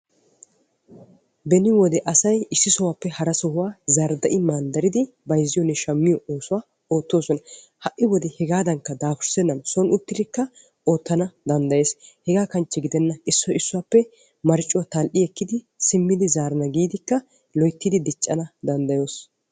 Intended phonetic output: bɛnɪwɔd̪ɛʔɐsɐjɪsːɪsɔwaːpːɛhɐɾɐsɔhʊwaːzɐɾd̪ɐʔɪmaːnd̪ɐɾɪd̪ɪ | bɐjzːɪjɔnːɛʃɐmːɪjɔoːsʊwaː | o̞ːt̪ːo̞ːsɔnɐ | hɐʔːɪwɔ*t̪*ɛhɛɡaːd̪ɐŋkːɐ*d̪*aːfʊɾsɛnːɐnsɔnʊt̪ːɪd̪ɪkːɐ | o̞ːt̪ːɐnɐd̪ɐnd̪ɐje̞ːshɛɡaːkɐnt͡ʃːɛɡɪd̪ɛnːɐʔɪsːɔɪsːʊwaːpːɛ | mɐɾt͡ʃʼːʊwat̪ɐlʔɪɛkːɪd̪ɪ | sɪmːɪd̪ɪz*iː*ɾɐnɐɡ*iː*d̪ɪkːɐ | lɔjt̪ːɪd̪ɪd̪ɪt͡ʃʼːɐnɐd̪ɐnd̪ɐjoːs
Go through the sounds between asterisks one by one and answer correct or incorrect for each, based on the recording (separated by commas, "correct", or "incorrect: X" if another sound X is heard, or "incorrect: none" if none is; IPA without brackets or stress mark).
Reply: incorrect: d̪, correct, incorrect: aː, correct